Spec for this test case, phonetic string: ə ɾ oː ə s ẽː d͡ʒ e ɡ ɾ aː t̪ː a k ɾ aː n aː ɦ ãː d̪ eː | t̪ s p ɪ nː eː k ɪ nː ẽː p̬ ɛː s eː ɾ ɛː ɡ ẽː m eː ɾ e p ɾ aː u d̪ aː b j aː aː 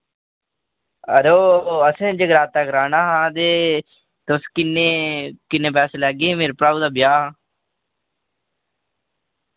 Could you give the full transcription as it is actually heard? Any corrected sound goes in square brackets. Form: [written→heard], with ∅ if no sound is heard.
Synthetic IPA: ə ɾ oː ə s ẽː d͡ʒ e ɡ ɾ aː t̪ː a k ɾ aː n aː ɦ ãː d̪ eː | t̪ s [p→k] ɪ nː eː k ɪ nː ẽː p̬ ɛː s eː [ɾ→l] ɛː ɡ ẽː m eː ɾ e p ɾ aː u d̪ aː b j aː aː